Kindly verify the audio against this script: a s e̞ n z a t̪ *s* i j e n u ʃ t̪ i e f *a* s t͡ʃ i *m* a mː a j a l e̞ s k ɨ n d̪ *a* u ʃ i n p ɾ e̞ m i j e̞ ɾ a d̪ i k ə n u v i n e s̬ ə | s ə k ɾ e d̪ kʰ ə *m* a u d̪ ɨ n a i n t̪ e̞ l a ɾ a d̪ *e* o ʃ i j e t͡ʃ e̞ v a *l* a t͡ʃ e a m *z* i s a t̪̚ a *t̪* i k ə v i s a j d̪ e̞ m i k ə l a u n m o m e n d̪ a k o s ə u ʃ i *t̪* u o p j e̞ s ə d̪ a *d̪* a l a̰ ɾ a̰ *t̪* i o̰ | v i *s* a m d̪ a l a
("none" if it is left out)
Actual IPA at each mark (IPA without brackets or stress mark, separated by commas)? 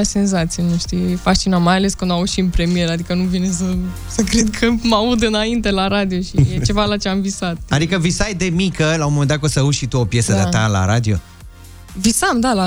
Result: s, a, n, a, m, i, l, v, d̪, t̪, t̪, d̪, s